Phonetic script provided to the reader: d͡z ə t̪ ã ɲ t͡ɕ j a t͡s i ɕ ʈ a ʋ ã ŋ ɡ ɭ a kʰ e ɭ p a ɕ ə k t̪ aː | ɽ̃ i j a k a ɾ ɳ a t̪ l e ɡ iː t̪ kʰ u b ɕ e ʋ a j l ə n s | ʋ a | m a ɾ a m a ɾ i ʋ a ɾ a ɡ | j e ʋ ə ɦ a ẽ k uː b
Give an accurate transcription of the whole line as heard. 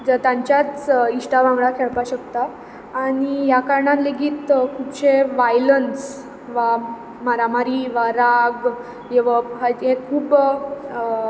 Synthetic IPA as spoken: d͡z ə t̪ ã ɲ t͡ɕ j a t͡s i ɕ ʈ a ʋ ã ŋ ɡ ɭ a kʰ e ɭ p a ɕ ə k t̪ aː | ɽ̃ i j a k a ɾ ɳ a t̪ l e ɡ iː t̪ kʰ u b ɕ e ʋ a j l ə n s | ʋ a | m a ɾ a m a ɾ i ʋ a ɾ a ɡ | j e ʋ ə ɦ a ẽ kʰ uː b

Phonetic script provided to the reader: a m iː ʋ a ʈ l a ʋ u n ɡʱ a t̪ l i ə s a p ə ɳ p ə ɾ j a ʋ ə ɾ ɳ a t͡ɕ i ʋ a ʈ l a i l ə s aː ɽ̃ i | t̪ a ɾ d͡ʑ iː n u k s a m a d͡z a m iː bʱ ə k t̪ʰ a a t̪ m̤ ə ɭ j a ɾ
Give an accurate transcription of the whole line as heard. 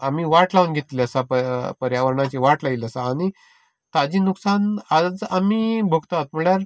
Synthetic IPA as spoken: a m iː ʋ a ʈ l a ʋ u n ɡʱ e t̪ l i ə s a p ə p ə ɾ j a ʋ ə ɾ ɳ a t͡ɕ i ʋ a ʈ l a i l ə s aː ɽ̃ i | t̪ a d͡ʑ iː n u k s a n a d͡z a m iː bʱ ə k t̪ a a t̪ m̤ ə ɭ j a ɾ

